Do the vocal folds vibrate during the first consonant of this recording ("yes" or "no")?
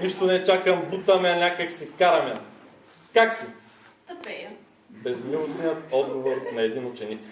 yes